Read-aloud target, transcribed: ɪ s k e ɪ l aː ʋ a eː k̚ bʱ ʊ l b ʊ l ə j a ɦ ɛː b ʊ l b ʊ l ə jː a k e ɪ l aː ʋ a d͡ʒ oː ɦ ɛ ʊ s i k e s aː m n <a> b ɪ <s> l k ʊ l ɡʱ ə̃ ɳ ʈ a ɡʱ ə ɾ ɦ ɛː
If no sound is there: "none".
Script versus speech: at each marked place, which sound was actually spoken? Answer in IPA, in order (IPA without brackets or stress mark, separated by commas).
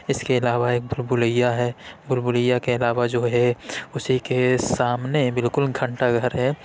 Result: e, none